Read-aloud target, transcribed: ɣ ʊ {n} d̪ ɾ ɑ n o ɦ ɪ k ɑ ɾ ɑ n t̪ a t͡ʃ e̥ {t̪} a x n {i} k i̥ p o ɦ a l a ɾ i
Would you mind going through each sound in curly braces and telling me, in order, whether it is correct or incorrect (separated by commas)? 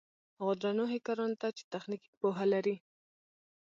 incorrect, correct, correct